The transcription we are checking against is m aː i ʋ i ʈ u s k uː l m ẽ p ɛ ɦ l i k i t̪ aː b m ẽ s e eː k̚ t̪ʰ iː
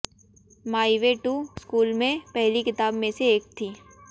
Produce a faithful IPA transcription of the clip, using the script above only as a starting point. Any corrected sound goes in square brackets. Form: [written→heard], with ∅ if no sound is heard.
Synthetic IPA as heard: m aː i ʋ [i→e] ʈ u s k uː l m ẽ p ɛ ɦ l i k [i→ɪ] t̪ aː b m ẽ s e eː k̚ t̪ʰ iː

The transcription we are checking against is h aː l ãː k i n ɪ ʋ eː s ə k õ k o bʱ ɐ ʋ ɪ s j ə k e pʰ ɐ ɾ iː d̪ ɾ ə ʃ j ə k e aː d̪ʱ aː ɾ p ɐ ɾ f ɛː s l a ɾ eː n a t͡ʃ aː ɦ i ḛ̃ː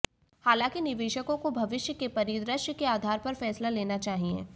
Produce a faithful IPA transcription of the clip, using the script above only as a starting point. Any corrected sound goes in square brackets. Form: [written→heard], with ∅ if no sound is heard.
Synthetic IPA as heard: h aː l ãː k i n ɪ ʋ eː [s→ʃ] ə k õ k o bʱ ɐ ʋ ɪ [s→ʃ] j ə k e [pʰ→p] ɐ ɾ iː d̪ ɾ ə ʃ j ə k e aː d̪ʱ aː ɾ p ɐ ɾ f ɛː s l a [ɾ→l] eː n a t͡ʃ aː ɦ i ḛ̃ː

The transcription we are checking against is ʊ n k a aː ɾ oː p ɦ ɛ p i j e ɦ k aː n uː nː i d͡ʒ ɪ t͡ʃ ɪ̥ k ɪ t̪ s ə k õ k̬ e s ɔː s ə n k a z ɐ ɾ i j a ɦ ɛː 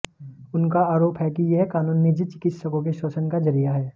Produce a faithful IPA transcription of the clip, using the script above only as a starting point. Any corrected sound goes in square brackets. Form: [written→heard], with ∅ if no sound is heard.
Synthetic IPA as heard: ʊ n k a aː ɾ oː p ɦ ɛ [p→k] i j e ɦ k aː n uː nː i d͡ʒ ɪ t͡ʃ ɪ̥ k ɪ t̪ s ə k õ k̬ e [s→ʃ] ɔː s ə n k a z ɐ ɾ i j a ɦ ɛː

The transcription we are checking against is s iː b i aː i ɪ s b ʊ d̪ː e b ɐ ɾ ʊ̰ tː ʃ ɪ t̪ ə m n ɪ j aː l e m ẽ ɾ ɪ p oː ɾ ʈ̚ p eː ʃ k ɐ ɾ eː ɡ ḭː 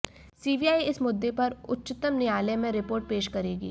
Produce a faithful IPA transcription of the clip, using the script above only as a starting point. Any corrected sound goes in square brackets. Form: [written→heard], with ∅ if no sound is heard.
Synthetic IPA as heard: s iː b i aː i ɪ s [b→m] ʊ d̪ː e [b→p] ɐ ɾ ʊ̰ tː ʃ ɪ t̪ ə m n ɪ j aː l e m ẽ ɾ ɪ p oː ɾ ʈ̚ p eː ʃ k ɐ ɾ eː ɡ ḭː

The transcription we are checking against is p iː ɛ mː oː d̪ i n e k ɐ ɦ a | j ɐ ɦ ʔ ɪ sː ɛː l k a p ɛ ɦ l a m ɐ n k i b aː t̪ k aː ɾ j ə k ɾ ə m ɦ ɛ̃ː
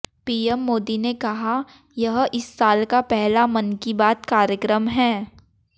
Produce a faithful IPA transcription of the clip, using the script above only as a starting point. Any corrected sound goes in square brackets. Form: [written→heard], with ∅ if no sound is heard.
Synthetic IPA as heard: p iː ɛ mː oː d̪ i n e k ɐ ɦ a | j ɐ ɦ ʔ ɪ sː [ɛː→aː] l k a p ɛ ɦ l a m ɐ n k i b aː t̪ k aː ɾ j ə k ɾ ə m ɦ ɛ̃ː

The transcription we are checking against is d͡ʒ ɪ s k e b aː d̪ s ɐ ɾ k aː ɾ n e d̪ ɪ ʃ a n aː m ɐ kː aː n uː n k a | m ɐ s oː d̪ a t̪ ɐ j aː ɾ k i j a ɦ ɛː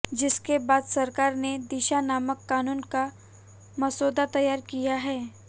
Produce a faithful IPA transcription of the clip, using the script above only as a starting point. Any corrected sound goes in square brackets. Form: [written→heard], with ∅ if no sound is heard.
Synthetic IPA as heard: d͡ʒ ɪ s k e b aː d̪ s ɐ ɾ k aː ɾ n e d̪ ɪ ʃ a n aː m [ɐ→ə] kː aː n uː n k a | m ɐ s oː d̪ a t̪ ɐ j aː ɾ k i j a ɦ ɛː

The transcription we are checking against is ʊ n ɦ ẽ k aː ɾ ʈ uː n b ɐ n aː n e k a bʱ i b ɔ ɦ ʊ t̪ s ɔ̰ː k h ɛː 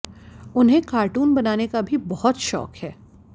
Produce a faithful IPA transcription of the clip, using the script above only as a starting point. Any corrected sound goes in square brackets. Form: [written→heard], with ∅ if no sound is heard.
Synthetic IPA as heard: ʊ n ɦ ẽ k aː ɾ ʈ uː n b ɐ n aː n e k a bʱ i b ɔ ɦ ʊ t̪ [s→ʃ] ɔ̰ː k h ɛː

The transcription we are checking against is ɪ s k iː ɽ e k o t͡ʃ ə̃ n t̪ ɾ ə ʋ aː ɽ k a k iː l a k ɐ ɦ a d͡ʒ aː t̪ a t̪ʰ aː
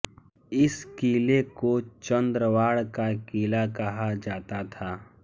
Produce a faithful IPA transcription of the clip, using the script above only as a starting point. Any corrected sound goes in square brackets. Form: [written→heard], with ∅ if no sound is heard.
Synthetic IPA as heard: ɪ s k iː [ɽ→l] e k o t͡ʃ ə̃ n [t̪→d̪] ɾ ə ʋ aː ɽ k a k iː l a k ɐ ɦ a d͡ʒ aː t̪ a t̪ʰ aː

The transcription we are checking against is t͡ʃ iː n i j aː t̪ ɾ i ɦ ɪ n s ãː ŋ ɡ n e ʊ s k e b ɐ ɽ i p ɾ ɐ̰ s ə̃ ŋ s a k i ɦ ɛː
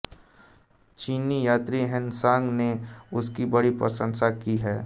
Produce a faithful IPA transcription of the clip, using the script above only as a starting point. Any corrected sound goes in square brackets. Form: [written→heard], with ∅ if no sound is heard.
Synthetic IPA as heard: t͡ʃ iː n i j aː t̪ ɾ i ɦ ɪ n s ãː ŋ ɡ n e ʊ s k [e→i] b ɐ ɽ i p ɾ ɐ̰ s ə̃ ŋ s a k i ɦ ɛː

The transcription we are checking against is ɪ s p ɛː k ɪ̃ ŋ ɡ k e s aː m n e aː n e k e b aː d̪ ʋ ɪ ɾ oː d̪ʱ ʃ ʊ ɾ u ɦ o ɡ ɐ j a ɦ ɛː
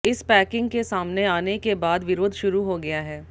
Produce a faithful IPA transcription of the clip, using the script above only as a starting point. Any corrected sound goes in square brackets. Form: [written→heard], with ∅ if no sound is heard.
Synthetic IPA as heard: ɪ s p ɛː k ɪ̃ ŋ ɡ k e s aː m n e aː n e k e b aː d̪ ʋ ɪ ɾ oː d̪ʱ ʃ ʊ ɾ u ɦ o ɡ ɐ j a ɦ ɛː

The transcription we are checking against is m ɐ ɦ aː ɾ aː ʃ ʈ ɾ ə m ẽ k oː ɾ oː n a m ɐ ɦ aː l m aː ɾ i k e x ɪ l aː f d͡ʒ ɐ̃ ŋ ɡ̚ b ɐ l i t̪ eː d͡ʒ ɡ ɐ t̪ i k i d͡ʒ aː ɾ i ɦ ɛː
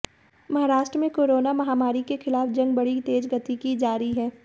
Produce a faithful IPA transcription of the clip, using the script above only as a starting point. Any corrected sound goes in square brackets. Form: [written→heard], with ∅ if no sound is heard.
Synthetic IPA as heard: m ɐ ɦ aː ɾ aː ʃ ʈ ɾ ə m ẽ k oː ɾ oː n a m ɐ ɦ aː [l→∅] m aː ɾ i k e x ɪ l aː f d͡ʒ ɐ̃ ŋ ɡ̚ b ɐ [l→ɽ] i t̪ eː d͡ʒ ɡ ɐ t̪ i k i d͡ʒ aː ɾ i ɦ ɛː

